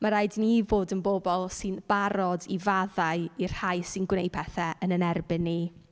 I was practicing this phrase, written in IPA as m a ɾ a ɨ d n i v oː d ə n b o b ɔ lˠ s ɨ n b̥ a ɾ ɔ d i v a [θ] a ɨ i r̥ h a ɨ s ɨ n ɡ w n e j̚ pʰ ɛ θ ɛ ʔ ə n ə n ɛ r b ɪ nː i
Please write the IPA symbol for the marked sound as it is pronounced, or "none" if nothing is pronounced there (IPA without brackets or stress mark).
ð